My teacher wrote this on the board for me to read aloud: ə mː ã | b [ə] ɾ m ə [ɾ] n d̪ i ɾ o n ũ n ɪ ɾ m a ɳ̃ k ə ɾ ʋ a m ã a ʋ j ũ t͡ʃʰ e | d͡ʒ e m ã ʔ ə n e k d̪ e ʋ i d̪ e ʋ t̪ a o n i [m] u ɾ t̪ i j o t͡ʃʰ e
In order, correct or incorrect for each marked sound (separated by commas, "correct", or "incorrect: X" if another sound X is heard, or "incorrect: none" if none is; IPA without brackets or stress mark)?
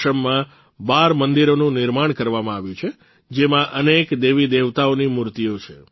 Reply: incorrect: a, incorrect: none, correct